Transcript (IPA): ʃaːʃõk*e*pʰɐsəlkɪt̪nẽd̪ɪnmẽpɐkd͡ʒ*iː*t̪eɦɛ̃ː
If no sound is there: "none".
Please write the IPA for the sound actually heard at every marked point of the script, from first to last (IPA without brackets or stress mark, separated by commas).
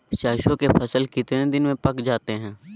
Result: e, aː